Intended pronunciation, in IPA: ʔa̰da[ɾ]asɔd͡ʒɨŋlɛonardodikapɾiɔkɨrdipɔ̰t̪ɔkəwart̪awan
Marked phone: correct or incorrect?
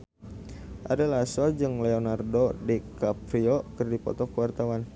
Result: incorrect